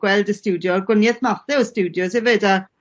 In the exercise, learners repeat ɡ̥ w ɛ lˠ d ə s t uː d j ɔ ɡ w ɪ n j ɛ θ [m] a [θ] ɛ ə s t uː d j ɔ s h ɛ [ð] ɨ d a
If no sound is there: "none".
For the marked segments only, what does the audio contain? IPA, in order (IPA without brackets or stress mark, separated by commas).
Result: m, θ, v